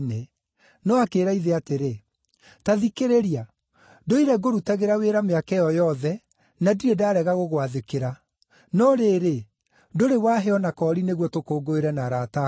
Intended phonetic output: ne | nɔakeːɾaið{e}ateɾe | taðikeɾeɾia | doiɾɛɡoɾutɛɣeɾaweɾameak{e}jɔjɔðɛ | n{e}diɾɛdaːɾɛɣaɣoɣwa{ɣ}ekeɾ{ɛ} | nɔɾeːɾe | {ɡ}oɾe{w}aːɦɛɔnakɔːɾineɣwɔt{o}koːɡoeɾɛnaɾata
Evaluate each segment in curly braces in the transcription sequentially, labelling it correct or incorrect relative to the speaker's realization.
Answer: correct, incorrect: ɛ, incorrect: a, incorrect: ð, incorrect: a, incorrect: d, correct, correct

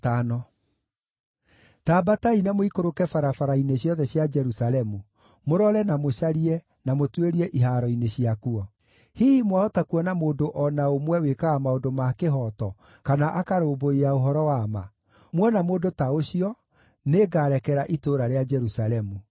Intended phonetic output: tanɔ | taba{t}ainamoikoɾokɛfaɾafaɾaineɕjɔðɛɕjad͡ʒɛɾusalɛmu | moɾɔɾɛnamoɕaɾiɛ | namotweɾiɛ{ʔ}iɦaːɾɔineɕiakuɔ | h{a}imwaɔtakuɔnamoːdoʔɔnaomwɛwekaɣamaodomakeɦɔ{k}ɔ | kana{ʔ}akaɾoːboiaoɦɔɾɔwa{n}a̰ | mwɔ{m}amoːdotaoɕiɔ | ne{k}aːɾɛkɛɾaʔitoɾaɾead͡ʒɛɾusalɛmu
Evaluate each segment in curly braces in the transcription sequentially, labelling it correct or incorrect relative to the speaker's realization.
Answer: correct, correct, incorrect: i, incorrect: t, correct, incorrect: m, incorrect: n, incorrect: ɡ

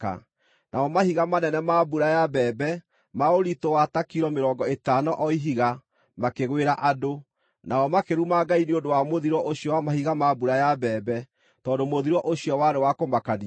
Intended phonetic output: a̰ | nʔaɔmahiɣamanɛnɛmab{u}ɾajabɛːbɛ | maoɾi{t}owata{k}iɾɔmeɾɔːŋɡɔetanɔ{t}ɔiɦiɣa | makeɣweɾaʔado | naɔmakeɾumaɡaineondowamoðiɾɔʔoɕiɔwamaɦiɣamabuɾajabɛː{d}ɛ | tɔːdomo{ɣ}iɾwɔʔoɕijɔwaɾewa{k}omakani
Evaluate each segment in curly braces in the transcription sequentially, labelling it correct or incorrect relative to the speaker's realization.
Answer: correct, correct, correct, incorrect: ʔ, incorrect: b, incorrect: ð, correct

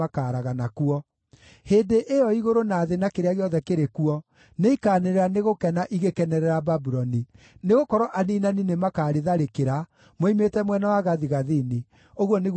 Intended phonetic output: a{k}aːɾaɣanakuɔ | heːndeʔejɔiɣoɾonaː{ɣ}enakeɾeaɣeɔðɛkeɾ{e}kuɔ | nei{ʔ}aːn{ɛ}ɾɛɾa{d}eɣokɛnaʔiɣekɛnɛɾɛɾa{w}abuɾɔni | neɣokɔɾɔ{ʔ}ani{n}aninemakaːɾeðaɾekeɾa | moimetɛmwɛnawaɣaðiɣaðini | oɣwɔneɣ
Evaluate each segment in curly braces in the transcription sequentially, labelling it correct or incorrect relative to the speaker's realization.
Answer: correct, incorrect: ð, correct, incorrect: k, incorrect: e, incorrect: n, incorrect: b, correct, correct

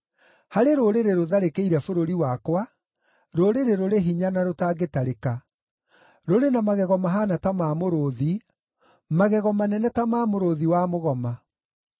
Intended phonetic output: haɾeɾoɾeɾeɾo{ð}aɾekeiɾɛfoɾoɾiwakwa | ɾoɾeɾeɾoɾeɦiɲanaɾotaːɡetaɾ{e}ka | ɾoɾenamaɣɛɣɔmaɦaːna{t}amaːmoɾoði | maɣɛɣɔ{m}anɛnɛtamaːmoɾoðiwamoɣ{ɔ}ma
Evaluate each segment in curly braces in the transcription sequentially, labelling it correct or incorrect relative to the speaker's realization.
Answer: correct, correct, correct, correct, correct

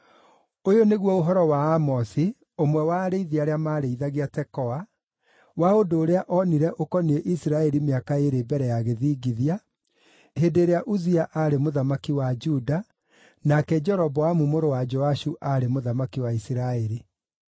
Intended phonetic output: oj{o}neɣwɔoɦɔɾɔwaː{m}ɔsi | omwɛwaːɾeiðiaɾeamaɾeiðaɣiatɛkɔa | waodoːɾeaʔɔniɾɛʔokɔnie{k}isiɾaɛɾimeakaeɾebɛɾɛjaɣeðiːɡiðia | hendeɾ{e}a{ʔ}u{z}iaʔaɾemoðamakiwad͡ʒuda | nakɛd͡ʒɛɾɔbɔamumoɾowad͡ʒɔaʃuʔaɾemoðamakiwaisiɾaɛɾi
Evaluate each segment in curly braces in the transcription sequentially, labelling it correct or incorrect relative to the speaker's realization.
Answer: correct, correct, incorrect: ʔ, correct, correct, correct

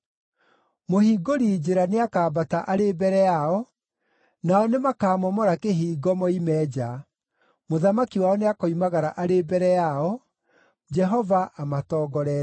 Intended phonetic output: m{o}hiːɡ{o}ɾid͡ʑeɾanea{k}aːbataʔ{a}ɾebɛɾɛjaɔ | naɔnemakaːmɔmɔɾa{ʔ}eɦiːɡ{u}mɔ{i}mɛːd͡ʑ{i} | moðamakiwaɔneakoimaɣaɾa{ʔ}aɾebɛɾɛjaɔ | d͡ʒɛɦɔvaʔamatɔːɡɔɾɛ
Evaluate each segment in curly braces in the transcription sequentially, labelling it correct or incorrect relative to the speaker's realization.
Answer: correct, correct, correct, correct, incorrect: k, incorrect: ɔ, correct, incorrect: a, correct

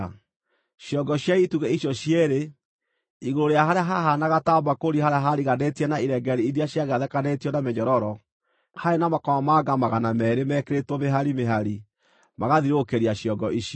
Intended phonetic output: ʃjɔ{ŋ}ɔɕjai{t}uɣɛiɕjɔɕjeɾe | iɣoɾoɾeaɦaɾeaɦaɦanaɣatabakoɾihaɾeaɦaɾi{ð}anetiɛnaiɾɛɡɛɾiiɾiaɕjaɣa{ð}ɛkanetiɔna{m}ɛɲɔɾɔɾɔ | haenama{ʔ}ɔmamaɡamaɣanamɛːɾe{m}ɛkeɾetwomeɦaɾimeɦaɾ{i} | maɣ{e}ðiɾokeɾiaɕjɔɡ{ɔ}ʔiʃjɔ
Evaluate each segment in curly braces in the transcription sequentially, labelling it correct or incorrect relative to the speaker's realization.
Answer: incorrect: ɡ, correct, incorrect: ɣ, correct, correct, incorrect: k, correct, correct, incorrect: a, correct

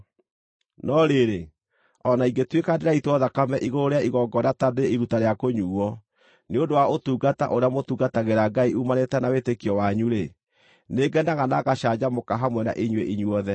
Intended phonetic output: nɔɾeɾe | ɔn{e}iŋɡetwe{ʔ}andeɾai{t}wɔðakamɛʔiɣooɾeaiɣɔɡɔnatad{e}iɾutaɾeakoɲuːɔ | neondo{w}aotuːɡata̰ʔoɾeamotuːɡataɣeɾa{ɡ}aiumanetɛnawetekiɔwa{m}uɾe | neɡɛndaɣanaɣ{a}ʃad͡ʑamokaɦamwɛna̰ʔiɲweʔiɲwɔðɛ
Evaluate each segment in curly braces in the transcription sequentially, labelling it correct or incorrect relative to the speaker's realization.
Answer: incorrect: a, incorrect: k, correct, correct, correct, correct, incorrect: ɲ, correct

